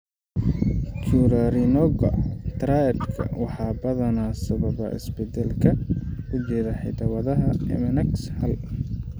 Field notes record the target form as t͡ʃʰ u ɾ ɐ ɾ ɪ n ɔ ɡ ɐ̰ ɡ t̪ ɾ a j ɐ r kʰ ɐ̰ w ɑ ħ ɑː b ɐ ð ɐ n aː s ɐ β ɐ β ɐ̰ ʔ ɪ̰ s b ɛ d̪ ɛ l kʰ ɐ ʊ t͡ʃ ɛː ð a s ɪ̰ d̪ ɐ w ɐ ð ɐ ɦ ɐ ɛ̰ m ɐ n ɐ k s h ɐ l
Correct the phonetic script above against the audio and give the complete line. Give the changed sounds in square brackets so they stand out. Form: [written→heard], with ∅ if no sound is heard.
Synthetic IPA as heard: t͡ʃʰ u ɾ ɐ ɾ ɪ n ɔ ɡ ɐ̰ [ɡ→∅] t̪ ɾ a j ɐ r kʰ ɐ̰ w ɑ ħ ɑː b ɐ ð ɐ n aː s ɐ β ɐ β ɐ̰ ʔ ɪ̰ s b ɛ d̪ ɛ l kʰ ɐ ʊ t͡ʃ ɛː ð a [s→ħ] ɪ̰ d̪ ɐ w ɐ ð ɐ ɦ ɐ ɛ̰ m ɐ n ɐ k s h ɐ l